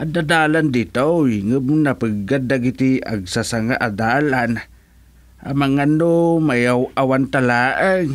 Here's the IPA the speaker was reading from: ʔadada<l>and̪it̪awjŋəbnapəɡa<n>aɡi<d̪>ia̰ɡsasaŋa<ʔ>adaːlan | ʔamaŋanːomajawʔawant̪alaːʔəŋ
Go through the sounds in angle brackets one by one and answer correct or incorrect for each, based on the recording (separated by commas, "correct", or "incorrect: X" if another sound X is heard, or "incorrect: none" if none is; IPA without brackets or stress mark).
correct, incorrect: d, incorrect: t̪, correct